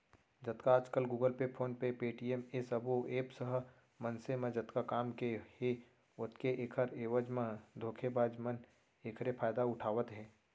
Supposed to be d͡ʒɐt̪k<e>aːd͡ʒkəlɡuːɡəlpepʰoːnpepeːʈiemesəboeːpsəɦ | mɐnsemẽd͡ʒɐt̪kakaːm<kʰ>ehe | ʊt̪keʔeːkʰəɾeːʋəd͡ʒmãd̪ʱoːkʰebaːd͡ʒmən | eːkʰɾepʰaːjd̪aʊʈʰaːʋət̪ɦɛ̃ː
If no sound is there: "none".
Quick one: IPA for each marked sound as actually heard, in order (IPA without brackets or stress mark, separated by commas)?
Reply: a, k